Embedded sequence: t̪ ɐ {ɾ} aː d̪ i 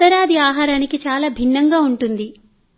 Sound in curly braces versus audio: correct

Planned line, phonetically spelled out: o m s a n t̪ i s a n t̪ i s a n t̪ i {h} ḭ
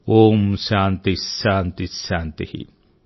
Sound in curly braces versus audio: correct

